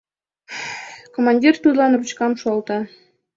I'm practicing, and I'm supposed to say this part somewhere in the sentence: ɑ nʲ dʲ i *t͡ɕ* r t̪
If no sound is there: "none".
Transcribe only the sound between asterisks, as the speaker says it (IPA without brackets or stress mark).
none